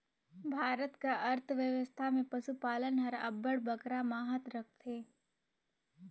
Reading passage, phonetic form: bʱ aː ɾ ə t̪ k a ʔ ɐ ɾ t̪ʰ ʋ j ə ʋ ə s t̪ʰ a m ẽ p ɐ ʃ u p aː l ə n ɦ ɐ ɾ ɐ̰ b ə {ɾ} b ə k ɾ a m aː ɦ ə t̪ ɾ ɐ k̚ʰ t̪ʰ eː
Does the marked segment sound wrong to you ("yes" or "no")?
yes